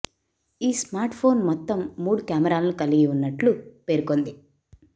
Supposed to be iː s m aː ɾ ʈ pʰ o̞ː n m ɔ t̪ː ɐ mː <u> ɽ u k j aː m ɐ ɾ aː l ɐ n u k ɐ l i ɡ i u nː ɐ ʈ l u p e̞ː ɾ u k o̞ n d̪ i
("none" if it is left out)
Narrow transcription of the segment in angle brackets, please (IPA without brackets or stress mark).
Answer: uː